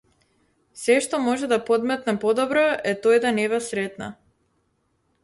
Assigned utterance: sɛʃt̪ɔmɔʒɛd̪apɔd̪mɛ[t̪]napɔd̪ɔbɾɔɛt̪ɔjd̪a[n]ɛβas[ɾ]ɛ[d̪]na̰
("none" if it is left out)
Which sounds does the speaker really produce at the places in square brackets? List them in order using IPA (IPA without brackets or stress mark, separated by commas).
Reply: t̪, n, ɾ, t̪